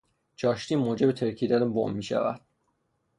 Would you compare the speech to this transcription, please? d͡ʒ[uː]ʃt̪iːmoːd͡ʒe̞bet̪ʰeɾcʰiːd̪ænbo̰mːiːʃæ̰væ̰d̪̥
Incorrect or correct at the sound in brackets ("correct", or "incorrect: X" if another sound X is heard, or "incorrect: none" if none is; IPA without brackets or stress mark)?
incorrect: ɒː